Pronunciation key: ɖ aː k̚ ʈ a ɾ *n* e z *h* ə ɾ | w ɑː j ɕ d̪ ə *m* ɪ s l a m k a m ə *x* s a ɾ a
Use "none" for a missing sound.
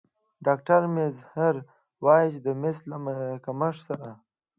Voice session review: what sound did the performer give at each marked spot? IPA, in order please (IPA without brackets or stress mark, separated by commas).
m, h, m, ʂ